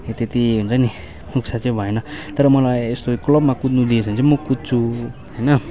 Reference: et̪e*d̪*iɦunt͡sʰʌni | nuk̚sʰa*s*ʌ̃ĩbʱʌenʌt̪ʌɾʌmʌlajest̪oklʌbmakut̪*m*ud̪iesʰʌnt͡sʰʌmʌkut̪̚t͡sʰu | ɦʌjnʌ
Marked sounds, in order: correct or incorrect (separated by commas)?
incorrect, incorrect, incorrect